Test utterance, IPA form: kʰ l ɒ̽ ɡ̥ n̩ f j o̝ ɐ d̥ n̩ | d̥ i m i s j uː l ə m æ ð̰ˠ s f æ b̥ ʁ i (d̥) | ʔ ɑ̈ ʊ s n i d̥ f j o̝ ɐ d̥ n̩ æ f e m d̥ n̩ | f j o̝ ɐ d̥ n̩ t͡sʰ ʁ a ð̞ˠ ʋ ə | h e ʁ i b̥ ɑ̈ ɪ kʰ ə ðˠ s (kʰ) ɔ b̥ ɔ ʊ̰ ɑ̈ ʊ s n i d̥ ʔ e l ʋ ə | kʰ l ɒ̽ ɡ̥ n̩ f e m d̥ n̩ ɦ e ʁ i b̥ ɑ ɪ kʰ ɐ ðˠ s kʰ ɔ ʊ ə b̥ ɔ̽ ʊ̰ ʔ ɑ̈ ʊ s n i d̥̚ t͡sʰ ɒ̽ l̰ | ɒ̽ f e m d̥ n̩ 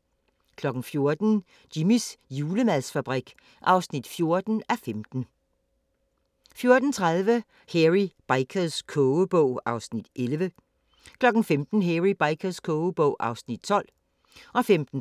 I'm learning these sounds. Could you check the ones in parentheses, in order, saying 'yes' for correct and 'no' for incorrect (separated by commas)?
no, yes